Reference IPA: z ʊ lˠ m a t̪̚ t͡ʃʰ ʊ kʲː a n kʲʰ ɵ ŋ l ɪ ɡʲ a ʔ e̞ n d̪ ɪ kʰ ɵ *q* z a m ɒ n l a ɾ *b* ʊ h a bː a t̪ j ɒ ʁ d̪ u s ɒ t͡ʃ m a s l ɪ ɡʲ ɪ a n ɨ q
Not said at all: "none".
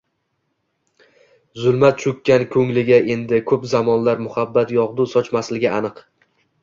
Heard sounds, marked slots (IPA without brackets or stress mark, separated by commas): p, m